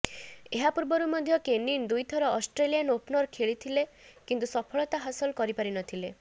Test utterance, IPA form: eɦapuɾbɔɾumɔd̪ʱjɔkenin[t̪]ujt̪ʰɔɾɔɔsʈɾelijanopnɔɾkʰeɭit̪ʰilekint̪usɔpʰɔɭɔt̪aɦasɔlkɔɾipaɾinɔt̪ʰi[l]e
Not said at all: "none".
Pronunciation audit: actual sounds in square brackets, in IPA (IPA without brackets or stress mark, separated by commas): d̪, l